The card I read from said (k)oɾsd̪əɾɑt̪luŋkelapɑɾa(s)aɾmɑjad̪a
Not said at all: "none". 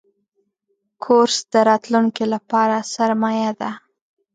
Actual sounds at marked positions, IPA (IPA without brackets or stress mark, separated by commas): kʰ, s